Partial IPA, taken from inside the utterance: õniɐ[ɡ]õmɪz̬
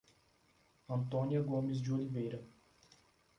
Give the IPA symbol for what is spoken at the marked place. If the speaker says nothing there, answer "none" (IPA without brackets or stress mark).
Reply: ɡ